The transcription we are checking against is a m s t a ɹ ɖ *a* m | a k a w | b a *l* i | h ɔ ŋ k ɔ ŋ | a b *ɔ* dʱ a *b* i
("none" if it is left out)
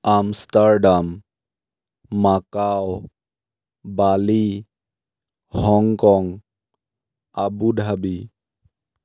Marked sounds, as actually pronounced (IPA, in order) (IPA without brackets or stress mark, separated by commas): a, l, u, b